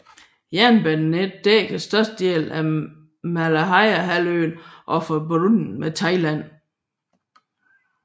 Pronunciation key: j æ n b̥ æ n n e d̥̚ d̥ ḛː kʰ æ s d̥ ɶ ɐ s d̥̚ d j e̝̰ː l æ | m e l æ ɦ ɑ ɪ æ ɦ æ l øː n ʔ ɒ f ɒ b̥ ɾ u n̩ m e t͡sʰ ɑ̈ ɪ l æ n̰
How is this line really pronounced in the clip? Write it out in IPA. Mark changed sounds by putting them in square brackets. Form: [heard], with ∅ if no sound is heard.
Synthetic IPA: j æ n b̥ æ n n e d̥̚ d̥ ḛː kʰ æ s d̥ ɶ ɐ s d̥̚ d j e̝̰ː l æ | m [æ] l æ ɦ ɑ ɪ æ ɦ æ l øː n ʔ ɒ f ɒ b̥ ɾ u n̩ m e t͡sʰ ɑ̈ ɪ l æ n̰